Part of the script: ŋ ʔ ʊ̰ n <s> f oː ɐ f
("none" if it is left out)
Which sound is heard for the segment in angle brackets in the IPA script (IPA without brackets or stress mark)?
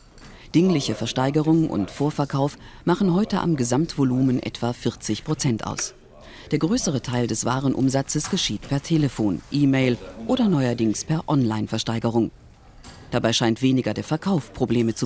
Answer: t